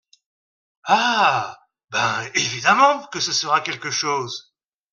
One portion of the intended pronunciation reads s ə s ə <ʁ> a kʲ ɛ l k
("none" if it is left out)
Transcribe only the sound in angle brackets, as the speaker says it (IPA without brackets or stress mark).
ʁ